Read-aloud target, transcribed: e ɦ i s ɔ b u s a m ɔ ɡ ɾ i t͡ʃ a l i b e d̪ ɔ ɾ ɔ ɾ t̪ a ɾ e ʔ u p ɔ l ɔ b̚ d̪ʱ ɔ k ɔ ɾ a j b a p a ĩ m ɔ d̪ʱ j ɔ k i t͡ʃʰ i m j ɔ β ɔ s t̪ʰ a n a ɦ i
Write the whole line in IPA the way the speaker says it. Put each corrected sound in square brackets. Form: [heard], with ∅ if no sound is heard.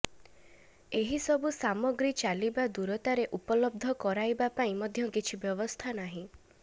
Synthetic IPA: e ɦ i s ɔ b u s a m ɔ ɡ ɾ i t͡ʃ a l i b [a] d̪ [u] ɾ ɔ [∅] t̪ a ɾ e ʔ u p ɔ l ɔ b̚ d̪ʱ ɔ k ɔ ɾ a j b a p a ĩ m ɔ d̪ʱ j ɔ k i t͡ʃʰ i [b] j ɔ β ɔ s t̪ʰ a n a ɦ [ĩ]